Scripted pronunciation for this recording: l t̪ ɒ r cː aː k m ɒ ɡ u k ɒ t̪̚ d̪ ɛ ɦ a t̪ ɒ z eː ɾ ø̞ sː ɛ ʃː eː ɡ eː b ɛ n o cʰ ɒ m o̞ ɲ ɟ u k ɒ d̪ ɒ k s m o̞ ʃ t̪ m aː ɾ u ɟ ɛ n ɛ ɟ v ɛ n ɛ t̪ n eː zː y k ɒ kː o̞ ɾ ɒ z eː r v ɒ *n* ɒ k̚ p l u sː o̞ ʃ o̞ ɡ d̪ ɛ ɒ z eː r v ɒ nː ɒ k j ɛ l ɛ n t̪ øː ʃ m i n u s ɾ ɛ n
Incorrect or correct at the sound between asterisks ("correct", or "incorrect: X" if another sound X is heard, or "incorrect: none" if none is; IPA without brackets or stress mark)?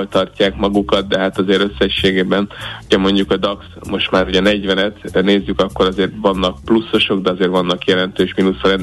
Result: incorrect: nː